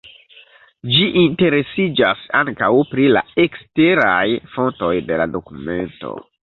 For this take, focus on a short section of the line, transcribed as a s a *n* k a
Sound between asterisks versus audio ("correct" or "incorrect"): incorrect